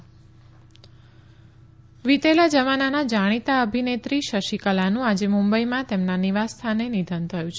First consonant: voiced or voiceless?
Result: voiced